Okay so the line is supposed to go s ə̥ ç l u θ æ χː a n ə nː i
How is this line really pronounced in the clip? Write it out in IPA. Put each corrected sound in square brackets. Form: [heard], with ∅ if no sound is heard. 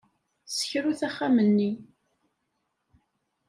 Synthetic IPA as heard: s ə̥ ç [ɾ] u θ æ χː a [m] ə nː i